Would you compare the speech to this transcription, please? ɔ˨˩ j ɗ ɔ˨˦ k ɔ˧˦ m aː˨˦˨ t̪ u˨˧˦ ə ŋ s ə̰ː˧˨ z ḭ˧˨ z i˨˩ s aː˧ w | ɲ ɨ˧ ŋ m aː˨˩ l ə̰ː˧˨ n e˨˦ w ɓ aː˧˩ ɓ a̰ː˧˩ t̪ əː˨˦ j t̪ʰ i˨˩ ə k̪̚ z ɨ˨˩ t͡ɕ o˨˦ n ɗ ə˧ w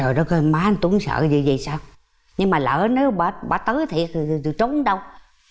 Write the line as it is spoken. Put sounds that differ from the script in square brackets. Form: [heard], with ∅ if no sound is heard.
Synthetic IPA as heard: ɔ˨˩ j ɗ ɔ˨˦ k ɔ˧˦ m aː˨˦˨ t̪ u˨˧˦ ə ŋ s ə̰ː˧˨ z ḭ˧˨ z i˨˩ s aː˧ w | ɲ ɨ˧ ŋ m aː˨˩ l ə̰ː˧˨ n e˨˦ w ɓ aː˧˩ ɓ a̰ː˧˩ t̪ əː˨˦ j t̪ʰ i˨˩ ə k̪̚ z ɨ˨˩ t͡ɕ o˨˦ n ɗ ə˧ w